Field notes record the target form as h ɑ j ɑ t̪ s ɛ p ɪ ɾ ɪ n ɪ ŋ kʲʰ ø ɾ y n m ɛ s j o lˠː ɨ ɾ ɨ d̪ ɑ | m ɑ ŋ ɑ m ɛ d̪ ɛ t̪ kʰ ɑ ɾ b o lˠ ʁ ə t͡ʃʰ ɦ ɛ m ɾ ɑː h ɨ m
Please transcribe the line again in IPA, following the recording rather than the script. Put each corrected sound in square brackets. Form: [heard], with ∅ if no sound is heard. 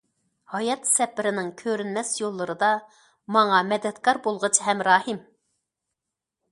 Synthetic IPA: h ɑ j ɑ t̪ s ɛ p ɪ ɾ ɪ n ɪ ŋ kʲʰ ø ɾ y n m ɛ s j o lˠː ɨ ɾ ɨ d̪ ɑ | m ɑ ŋ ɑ m ɛ d̪ ɛ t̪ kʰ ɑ ɾ b o lˠ ʁ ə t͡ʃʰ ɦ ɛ m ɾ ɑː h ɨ m